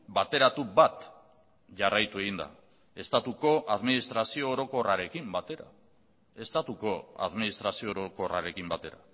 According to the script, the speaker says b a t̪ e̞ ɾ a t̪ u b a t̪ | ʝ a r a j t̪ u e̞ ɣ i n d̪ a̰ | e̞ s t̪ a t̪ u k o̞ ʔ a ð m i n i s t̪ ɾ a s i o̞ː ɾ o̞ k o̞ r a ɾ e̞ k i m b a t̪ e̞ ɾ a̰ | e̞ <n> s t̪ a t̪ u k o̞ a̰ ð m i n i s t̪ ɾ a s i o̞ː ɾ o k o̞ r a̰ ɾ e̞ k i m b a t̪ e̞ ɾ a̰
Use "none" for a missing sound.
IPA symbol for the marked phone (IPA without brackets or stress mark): none